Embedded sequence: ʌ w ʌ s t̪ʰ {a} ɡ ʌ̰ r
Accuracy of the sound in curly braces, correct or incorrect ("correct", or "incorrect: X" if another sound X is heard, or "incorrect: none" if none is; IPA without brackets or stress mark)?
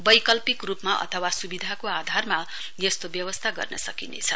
correct